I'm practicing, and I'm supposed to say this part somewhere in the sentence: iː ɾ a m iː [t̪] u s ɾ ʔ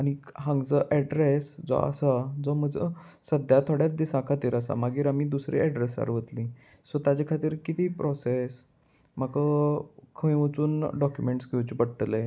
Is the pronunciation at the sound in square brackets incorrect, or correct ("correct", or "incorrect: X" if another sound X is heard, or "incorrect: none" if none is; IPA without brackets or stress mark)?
incorrect: d̪